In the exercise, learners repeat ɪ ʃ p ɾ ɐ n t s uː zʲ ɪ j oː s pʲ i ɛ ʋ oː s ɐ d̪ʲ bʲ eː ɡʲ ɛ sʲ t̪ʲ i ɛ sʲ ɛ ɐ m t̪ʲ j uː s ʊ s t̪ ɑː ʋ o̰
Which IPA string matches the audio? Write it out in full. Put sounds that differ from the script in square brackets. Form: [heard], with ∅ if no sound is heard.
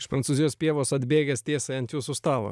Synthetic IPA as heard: ɪ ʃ p ɾ ɐ n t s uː zʲ ɪ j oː s pʲ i ɛ ʋ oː s ɐ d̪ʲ bʲ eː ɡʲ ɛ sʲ t̪ʲ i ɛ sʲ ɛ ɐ [n] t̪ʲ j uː s ʊ s t̪ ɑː ʋ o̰